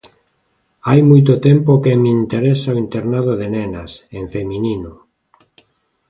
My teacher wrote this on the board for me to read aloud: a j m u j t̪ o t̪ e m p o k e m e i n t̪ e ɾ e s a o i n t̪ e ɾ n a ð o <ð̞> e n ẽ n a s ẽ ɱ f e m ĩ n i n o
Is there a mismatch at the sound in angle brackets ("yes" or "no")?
no